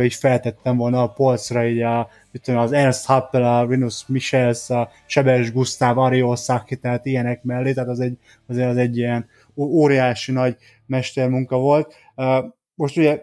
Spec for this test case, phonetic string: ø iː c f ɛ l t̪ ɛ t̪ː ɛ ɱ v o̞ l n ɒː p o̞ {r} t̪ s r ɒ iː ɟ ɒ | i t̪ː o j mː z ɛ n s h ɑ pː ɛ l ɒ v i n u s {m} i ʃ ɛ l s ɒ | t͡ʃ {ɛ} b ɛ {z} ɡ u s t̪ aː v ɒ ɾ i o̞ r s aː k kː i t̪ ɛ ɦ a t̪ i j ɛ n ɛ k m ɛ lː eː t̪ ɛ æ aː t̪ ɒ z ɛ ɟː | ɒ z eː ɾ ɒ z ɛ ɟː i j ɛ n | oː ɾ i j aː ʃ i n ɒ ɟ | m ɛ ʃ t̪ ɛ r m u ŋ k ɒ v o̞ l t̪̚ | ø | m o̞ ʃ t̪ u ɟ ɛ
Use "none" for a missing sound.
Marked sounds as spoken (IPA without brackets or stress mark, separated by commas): l, m, ɛ, ʒ